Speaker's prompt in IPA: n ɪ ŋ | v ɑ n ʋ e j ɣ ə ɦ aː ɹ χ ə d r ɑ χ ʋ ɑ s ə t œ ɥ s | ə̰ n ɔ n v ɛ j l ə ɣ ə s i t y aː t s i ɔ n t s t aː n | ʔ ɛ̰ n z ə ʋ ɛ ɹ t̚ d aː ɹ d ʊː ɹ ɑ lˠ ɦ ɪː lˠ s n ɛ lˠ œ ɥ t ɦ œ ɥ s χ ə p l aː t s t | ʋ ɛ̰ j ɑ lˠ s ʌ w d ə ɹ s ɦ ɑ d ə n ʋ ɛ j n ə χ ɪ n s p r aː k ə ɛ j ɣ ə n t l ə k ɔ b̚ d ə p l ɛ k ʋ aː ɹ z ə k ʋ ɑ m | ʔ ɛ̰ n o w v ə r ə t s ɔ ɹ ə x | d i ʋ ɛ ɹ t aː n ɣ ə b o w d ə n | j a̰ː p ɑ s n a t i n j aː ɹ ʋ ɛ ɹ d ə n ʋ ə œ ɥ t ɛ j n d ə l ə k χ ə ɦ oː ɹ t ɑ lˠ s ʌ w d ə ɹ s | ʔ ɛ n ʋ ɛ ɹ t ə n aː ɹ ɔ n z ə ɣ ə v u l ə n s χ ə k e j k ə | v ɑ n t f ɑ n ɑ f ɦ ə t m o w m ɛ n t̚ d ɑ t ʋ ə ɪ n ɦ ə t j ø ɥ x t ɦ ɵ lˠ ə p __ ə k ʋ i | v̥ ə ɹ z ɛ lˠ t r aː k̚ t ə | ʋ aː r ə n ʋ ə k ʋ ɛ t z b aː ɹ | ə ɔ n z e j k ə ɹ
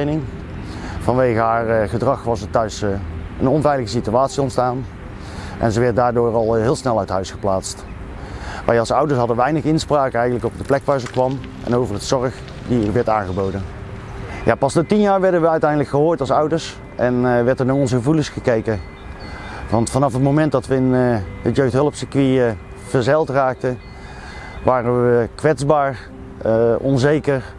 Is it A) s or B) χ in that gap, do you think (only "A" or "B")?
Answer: A